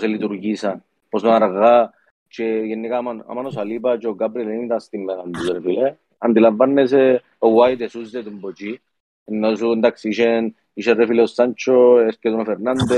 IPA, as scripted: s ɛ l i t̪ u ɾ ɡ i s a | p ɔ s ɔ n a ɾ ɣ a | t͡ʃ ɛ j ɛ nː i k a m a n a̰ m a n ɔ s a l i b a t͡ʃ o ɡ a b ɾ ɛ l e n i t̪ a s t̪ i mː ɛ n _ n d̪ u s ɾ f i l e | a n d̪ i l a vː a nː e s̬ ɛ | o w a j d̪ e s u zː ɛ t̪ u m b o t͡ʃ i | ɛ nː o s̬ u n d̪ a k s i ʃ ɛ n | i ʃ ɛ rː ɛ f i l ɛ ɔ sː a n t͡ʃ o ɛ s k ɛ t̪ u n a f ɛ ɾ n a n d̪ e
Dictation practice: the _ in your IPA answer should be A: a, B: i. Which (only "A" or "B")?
A